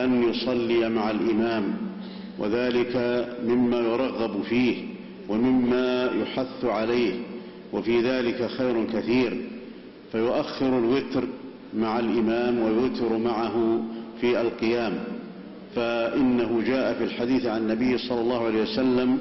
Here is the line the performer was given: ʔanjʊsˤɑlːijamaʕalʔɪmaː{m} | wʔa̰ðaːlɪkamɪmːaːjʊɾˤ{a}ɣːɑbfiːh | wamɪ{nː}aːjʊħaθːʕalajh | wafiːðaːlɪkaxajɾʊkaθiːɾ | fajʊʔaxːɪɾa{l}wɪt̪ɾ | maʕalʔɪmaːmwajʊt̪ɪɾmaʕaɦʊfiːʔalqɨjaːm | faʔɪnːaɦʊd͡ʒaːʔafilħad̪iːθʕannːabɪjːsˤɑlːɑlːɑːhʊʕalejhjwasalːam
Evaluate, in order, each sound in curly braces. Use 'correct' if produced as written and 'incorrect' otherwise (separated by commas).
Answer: correct, incorrect, incorrect, correct